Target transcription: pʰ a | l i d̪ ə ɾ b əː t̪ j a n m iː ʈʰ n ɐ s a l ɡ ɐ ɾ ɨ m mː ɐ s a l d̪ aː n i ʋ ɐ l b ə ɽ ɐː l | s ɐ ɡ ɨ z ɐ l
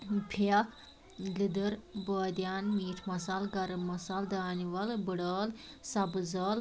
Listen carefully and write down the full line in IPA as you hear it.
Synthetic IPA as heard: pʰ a | l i d̪ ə ɾ b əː d̪ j a n m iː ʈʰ m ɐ s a l ɡ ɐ ɾ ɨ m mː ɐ s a l d̪ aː n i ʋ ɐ l b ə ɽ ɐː l | s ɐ b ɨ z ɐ l